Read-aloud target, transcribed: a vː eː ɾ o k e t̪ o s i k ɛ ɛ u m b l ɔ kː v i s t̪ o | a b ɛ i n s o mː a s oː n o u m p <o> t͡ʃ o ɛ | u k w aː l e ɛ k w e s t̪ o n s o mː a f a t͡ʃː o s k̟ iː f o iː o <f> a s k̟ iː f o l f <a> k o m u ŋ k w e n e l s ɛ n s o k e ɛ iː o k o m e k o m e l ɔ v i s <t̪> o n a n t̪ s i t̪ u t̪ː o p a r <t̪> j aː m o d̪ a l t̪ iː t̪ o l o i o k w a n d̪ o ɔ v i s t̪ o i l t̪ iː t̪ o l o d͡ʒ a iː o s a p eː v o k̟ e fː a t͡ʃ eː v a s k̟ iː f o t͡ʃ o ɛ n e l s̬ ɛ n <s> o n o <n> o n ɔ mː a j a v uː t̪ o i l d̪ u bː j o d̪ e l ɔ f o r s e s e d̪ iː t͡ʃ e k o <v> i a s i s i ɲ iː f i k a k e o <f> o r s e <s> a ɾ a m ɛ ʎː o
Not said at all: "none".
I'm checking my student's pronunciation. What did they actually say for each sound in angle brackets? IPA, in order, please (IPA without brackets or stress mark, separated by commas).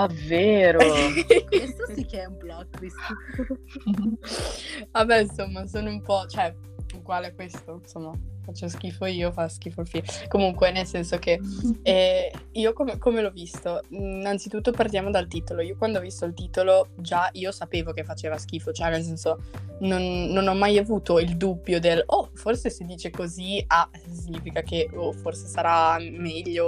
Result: ɔ, f, i, t̪, t̪, s, nː, z, f, s